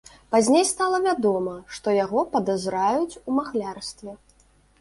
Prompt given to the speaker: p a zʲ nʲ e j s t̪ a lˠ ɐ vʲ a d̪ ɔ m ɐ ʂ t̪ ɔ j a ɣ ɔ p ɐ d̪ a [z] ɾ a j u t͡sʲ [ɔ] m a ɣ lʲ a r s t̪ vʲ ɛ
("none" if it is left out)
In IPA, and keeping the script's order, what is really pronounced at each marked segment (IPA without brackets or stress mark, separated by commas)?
z, u